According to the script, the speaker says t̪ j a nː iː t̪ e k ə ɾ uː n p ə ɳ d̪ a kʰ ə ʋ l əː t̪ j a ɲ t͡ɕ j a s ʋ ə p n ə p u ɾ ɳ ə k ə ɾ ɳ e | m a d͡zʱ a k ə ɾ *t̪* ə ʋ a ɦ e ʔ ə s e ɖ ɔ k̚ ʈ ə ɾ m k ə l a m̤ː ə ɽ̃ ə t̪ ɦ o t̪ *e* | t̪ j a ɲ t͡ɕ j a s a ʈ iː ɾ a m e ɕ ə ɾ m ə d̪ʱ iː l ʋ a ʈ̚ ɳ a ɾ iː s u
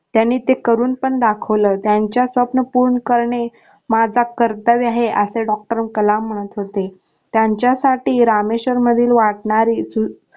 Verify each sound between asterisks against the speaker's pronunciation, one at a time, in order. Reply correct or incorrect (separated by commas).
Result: correct, correct